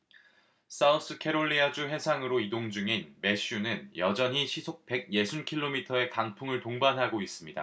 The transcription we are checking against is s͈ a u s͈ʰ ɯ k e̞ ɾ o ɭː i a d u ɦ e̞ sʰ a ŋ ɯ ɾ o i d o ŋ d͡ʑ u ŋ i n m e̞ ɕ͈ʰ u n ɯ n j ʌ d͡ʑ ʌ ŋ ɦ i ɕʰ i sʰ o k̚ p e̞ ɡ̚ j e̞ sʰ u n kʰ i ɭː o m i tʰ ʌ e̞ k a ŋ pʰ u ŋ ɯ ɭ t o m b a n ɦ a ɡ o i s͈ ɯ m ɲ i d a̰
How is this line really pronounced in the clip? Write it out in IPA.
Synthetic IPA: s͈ a u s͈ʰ ɯ kʰ e̞ ɾ o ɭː i a d͡ʑ u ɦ e̞ sʰ a ŋ ɯ ɾ o i d o ŋ d͡ʑ u ŋ i n m e̞ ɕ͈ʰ u n ɯ n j ʌ d͡ʑ ʌ ɲ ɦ i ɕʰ i sʰ o k̚ p e̞ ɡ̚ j e̞ sʰ u n kʰ i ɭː o m i tʰ ʌ e̞ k a ŋ pʰ u ŋ ɯ ɭ t o ŋ b a n ɦ a ɡ o i s͈ ɯ m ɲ i d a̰

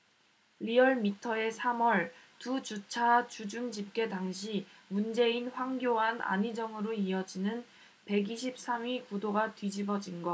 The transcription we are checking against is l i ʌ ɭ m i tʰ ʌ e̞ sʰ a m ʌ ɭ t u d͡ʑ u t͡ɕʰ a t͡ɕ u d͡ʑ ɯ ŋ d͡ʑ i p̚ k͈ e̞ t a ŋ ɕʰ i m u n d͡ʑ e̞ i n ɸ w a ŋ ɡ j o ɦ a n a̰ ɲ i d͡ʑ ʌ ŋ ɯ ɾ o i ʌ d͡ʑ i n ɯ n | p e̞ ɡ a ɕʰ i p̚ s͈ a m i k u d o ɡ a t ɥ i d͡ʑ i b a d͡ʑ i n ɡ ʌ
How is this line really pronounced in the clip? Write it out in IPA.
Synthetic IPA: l i ʌ ɭ m i tʰ ʌ e̞ sʰ a m ʌ ɭ t u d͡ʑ u t͡ɕʰ a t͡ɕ u d͡ʑ u ŋ d͡ʑ i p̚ k͈ e̞ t a ŋ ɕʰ i m u n d͡ʑ e̞ i n ɸ w a ŋ ɡ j o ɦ a n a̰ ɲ i d͡ʑ ʌ ŋ ɯ ɾ o i ʌ d͡ʑ i n ɯ n | p e̞ ɡ i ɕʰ i p̚ s͈ a m i k u d o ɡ a t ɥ i d͡ʑ i b ʌ d͡ʑ i n ɡ ʌ

